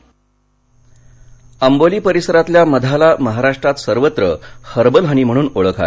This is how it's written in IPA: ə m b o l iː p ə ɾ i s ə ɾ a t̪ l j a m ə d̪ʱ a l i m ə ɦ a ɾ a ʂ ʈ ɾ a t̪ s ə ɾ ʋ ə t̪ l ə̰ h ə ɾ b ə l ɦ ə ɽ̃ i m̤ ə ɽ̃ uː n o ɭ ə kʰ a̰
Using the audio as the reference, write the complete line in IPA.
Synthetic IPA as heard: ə m b o l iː p ə ɾ i s ə ɾ a t̪ l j a m ə d̪ʱ a l a m ə ɦ a ɾ a ʂ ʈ ɾ a t̪ s ə ɾ ʋ ə t̪ ɾ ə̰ h ə ɾ b ə l ɦ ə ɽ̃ i m̤ ə ɽ̃ uː n o ɭ ə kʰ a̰